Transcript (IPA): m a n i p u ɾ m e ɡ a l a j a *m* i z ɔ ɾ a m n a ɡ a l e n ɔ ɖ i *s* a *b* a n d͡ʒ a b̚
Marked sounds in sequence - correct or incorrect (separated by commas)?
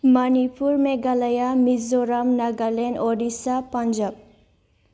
correct, correct, incorrect